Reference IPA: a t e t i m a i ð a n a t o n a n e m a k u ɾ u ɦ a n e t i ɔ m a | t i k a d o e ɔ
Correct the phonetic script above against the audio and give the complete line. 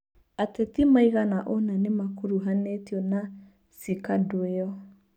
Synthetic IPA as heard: a t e t i m a i ɣ a n a ʔ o n a n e m a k u ɾ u ɦ a n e t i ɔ n a | s i k a d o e ɔ